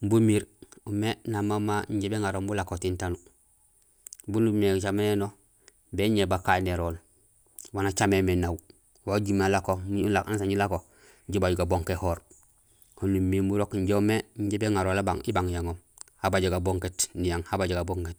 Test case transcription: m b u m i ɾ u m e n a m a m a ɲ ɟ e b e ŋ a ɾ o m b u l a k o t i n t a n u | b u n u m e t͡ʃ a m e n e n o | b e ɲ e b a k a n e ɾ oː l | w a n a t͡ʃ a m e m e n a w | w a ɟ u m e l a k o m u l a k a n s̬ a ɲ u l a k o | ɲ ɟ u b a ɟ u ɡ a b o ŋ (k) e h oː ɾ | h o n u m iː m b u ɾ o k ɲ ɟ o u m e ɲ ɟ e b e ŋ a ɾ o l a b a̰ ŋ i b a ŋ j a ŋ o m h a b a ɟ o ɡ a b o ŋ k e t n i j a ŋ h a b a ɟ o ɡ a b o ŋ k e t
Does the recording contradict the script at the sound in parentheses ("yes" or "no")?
no